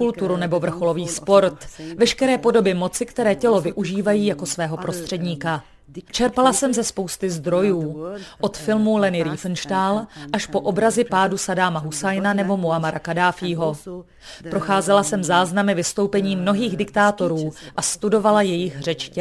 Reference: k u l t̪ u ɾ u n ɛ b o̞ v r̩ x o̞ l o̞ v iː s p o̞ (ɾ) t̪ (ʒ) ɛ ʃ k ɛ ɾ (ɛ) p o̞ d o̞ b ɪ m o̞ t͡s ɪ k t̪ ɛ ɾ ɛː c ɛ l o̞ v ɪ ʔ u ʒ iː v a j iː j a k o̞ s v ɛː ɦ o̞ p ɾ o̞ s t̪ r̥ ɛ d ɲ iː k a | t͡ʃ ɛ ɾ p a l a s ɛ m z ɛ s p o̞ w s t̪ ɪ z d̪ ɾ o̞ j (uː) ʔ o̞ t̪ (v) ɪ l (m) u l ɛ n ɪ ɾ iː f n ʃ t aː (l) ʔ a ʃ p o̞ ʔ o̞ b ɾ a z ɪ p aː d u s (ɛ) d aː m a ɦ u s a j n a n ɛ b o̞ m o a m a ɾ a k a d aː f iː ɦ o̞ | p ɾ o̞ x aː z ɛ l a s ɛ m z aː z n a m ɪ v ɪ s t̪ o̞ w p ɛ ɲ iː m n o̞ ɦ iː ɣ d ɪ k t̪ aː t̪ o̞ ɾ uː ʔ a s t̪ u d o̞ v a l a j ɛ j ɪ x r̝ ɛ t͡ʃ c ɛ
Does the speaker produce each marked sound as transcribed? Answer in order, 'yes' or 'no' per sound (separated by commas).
yes, no, no, yes, no, yes, yes, no